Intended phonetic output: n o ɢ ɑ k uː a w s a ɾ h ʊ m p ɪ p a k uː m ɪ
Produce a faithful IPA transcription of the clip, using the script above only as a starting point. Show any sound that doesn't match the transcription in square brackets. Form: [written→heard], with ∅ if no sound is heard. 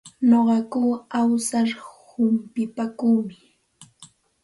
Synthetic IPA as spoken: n o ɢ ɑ k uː a w s a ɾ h ʊ m p ɪ p a k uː m ɪ